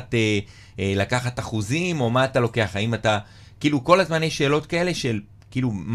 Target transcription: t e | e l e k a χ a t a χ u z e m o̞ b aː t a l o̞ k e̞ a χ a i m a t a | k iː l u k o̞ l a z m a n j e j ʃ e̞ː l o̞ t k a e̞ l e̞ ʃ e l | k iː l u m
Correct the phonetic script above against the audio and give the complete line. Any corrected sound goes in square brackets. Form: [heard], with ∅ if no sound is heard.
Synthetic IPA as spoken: t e | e l [a] k a χ a t a χ u z [i] m o̞ [m] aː t a l o̞ k e̞ a χ a i m a t a | k iː l u k o̞ l a z m a n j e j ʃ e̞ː l o̞ t k a e̞ l e̞ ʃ e l | k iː l u m